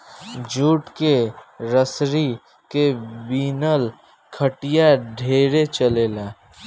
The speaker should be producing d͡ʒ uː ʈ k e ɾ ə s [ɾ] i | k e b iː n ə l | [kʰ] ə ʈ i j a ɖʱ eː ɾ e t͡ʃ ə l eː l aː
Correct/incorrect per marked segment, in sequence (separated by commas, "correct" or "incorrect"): correct, correct